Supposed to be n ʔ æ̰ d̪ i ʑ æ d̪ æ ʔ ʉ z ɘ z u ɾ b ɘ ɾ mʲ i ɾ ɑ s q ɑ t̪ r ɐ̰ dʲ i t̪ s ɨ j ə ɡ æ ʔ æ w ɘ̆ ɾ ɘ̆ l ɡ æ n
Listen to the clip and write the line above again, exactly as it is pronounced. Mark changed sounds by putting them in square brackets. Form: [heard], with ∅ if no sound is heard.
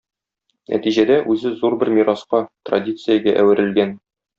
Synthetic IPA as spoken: n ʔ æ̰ [t̪] i ʑ æ d̪ æ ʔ ʉ z ɘ z u ɾ b ɘ ɾ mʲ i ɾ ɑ s q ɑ t̪ r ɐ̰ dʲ i t̪ s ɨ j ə ɡ æ ʔ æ w ɘ̆ ɾ ɘ̆ l ɡ æ n

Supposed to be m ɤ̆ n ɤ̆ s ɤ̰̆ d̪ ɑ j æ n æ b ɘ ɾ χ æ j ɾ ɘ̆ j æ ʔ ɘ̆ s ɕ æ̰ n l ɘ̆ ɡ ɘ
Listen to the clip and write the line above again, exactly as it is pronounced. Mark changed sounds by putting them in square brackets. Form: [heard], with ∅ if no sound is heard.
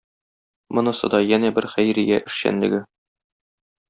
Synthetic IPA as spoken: m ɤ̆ n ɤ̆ s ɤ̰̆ d̪ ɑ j æ n æ b ɘ ɾ χ æ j ɾ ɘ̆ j æ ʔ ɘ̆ [ʃ] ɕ æ̰ n l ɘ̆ ɡ ɘ

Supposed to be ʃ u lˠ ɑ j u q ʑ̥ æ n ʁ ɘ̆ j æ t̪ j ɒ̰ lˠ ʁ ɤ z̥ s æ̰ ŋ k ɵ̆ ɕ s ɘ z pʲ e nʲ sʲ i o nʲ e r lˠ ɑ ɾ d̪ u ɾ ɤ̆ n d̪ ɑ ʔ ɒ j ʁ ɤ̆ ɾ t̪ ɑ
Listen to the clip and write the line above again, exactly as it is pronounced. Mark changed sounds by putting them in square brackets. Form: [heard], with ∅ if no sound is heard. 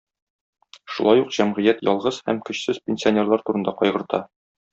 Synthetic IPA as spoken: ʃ u lˠ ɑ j u q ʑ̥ æ [m] ʁ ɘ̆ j æ t̪ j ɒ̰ lˠ ʁ ɤ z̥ [h] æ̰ [m] k ɵ̆ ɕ s ɘ z pʲ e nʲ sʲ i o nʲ e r lˠ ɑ ɾ [t̪] u ɾ ɤ̆ n d̪ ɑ [q] ɒ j ʁ ɤ̆ ɾ t̪ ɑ

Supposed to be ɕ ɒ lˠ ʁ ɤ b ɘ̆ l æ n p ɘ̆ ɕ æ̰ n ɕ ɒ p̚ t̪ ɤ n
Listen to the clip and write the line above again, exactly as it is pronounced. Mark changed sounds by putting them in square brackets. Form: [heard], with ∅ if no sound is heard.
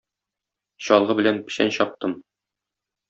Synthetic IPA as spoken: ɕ ɒ lˠ ʁ ɤ b ɘ̆ l æ n p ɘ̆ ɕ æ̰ n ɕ ɒ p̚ t̪ ɤ [m]

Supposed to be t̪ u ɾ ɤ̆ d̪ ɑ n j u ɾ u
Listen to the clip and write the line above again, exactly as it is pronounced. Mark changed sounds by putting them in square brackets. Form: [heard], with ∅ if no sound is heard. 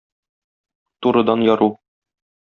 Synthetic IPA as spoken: t̪ u ɾ ɤ̆ d̪ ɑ n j [ɒ] ɾ u

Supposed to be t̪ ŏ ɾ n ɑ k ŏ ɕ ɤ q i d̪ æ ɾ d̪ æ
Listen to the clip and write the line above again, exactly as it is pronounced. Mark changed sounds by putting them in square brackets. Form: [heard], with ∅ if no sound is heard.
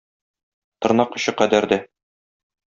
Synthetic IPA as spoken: t̪ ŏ ɾ n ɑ [q] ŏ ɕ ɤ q [æ] d̪ æ ɾ d̪ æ

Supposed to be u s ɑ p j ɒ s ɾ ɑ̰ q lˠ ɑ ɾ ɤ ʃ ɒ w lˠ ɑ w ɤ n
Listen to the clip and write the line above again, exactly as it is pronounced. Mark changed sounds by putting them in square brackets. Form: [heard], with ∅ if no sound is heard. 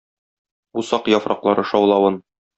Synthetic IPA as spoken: u s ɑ [q] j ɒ [f] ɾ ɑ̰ q lˠ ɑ ɾ ɤ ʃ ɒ w lˠ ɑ w ɤ n

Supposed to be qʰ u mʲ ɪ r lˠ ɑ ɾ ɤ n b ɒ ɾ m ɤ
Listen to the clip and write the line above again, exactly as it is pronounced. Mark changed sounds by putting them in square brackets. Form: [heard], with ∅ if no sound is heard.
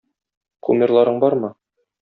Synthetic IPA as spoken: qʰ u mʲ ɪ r lˠ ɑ ɾ ɤ [ɴ] b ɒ ɾ m ɤ

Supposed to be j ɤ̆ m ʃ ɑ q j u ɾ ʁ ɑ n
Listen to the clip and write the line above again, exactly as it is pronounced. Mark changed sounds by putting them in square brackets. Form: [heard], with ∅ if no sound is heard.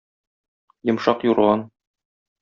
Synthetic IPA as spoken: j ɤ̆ m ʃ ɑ q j u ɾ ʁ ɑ n

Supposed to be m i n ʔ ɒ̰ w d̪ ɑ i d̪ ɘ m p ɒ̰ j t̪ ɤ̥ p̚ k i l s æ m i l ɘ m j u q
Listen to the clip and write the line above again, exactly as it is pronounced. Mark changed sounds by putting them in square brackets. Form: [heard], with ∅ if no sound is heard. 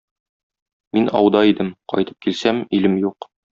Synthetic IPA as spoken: m i n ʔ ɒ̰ w d̪ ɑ i d̪ ɘ m [q] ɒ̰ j t̪ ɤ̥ p̚ k i l s æ m i l ɘ m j u q

